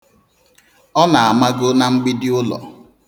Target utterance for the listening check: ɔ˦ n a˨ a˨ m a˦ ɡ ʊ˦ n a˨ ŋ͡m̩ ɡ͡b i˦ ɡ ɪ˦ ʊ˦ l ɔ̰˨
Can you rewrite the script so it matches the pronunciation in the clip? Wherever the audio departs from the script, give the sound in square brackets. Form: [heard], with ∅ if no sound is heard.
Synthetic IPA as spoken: ɔ˦ n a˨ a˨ m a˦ ɡ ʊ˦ n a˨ ŋ͡m̩ ɡ͡b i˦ [d] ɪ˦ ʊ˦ l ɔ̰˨